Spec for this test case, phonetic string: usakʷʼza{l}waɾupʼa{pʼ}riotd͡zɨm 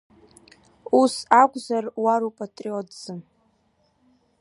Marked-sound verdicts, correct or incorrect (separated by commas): incorrect, incorrect